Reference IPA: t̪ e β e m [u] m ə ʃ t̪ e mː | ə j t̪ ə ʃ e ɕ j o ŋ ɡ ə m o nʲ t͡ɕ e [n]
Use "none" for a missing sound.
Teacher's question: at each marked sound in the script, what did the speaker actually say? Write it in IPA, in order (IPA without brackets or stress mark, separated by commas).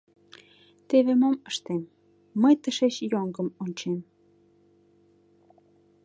o, m